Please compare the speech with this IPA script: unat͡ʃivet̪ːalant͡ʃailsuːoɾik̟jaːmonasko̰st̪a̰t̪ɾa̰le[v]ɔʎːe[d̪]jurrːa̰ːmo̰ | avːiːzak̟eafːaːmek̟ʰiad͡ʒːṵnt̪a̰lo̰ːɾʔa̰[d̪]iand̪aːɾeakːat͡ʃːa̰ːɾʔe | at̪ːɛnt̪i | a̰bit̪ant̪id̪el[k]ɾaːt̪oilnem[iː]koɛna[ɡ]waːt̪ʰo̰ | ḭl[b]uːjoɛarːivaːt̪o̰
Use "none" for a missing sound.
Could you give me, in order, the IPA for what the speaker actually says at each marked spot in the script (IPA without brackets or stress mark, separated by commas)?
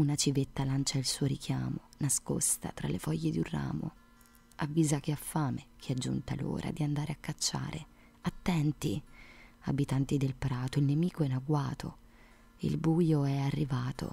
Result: f, d̪, d̪, p, iː, ɡ, b